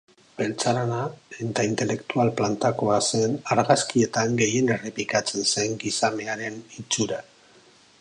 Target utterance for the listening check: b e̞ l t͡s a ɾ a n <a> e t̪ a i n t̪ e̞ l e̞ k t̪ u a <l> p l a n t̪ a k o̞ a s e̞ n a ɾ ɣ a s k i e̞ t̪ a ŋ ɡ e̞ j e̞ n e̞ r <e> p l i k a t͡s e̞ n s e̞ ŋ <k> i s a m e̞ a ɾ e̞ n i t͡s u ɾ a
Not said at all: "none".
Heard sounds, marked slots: a, l, e, ɡ

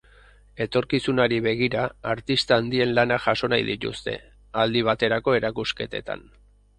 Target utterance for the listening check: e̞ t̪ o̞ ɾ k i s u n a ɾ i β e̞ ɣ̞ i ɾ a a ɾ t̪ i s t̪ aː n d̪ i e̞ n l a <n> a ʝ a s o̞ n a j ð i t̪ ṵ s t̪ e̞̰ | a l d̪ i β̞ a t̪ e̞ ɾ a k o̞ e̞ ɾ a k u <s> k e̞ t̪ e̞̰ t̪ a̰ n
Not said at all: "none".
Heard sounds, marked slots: n, s

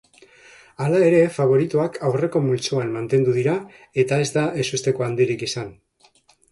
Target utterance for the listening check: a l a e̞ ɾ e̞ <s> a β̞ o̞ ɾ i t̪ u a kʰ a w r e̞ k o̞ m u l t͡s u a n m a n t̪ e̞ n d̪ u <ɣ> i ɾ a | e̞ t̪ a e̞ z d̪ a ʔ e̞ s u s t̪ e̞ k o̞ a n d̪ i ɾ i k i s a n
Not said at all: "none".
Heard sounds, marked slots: f, ð

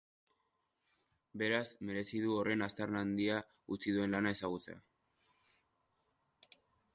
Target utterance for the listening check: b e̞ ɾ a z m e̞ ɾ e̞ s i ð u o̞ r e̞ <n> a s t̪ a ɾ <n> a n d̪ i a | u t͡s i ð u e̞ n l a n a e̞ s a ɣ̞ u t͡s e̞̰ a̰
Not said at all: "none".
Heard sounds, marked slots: n, n

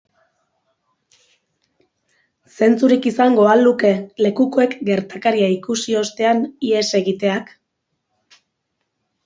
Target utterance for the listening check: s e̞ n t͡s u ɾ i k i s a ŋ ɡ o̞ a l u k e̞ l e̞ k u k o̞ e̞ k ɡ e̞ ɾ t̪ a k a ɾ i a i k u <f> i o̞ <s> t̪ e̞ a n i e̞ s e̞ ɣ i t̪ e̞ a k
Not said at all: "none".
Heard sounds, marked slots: s, s

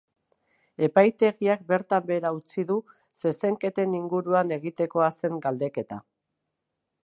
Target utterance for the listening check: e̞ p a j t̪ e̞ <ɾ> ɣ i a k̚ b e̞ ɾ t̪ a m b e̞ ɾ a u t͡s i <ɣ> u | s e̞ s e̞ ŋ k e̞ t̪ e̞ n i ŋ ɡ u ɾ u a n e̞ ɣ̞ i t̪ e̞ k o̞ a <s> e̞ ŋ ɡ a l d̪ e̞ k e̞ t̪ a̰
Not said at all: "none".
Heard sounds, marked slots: none, ð, s

